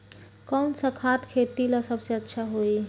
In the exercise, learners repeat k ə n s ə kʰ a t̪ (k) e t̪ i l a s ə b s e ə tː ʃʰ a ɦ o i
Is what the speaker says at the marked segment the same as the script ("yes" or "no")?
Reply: no